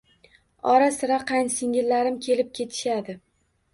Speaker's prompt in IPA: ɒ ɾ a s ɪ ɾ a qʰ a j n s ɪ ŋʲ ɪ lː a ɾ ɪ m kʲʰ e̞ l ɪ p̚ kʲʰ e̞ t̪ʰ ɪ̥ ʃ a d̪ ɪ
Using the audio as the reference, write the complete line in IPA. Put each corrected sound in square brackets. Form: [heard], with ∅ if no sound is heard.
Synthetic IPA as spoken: ɒ ɾ a s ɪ ɾ a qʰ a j n s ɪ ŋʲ ɪ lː a ɾ ɪ m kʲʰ e̞ l ɪ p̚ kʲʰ e̞ t̪ʰ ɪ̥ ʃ a d̪ ɪ